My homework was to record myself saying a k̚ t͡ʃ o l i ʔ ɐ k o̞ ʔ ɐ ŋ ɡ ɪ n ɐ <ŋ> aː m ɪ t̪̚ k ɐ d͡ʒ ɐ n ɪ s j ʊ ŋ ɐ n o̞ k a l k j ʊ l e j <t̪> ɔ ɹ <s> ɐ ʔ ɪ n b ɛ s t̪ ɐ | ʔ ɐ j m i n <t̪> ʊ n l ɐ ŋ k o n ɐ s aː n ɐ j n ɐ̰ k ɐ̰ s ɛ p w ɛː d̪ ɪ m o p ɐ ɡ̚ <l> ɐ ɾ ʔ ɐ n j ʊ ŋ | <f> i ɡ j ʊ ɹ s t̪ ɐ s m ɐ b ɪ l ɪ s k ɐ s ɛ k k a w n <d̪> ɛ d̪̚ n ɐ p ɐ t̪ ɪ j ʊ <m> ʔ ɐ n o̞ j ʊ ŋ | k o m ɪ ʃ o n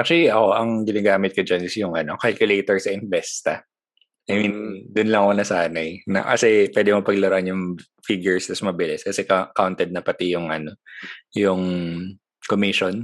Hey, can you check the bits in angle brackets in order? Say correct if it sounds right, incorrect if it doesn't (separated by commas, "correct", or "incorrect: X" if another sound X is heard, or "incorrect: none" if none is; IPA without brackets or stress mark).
incorrect: ɡ, correct, correct, incorrect: d̪, correct, correct, incorrect: t̪, incorrect: ŋ